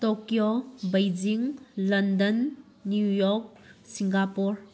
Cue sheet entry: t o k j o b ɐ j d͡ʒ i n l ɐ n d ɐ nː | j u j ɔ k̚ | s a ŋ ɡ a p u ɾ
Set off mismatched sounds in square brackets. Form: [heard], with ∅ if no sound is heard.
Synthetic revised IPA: t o k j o b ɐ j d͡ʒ i [ŋ] l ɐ n d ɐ nː | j u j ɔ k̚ | s [i] ŋ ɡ a p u ɾ